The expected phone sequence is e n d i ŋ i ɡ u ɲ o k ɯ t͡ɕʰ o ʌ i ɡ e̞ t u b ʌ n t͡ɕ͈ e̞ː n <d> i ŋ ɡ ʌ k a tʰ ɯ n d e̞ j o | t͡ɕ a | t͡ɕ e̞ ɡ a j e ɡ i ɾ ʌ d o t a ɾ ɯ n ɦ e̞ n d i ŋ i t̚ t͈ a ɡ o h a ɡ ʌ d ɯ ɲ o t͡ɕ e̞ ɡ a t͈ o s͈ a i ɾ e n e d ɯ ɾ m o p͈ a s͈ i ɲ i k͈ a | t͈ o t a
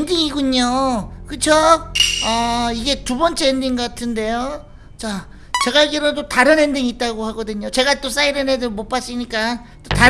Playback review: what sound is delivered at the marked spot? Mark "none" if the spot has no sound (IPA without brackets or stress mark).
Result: d